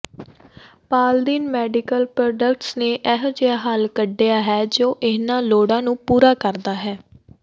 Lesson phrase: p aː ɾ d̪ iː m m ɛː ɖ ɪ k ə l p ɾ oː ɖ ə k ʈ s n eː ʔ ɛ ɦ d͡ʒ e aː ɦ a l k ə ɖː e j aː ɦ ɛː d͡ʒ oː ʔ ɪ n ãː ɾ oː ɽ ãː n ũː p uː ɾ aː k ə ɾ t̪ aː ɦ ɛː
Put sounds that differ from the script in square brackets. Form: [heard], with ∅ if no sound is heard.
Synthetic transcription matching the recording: p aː [l] d̪ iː [n] m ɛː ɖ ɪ k ə l p ɾ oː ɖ ə k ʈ s n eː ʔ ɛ ɦ d͡ʒ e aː ɦ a l k ə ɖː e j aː ɦ ɛː d͡ʒ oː ʔ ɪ n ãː [l] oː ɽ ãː n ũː p uː ɾ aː k ə ɾ [d̪] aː ɦ ɛː